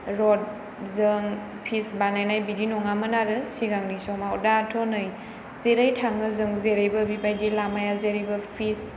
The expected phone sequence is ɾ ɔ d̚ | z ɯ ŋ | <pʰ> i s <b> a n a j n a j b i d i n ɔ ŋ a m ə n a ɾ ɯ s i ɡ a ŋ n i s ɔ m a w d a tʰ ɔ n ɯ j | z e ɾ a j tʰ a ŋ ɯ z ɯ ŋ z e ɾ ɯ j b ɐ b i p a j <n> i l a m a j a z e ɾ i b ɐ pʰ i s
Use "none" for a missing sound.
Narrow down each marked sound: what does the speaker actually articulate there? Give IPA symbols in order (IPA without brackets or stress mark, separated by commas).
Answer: pʰ, b, d